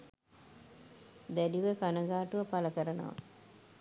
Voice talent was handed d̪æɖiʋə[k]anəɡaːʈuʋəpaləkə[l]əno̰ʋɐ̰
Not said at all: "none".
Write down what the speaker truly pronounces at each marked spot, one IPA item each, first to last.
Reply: k, ɾ

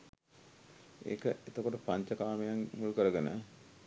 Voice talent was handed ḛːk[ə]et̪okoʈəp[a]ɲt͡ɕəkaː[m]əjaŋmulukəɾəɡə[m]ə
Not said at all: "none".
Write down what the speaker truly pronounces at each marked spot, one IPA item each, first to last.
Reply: ə, a, m, n

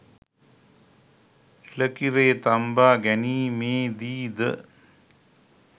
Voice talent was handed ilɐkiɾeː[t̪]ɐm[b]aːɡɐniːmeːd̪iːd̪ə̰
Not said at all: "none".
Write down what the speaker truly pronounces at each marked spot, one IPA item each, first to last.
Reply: t̪, b

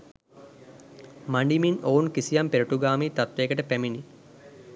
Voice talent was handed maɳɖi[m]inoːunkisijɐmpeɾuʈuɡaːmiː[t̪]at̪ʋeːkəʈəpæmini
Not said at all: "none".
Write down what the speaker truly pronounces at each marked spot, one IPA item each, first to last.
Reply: m, t̪

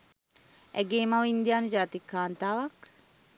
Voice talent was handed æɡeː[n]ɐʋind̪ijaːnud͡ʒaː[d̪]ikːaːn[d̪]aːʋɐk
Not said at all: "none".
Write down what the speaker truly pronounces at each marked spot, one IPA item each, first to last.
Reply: m, t̪, t̪

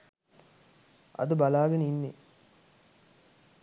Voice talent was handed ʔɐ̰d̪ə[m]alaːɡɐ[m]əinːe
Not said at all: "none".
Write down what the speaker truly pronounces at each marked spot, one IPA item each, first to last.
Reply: b, n

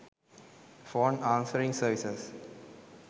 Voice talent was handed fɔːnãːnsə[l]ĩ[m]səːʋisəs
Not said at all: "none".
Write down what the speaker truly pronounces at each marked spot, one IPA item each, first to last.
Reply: ɾ, ŋ

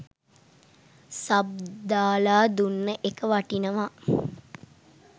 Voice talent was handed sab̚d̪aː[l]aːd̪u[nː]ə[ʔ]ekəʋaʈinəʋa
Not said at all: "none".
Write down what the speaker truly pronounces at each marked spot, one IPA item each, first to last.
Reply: l, nː, ʔ

